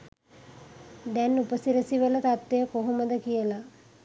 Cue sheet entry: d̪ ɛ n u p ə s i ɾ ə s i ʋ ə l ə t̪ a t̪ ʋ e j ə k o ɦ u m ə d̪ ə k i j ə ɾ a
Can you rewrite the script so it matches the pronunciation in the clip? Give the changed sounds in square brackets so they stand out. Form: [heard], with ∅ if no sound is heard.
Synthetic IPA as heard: d̪ ɛ n u p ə s i ɾ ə s i ʋ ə l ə t̪ a t̪ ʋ e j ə k o ɦ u m ə d̪ ə k i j ə [l] a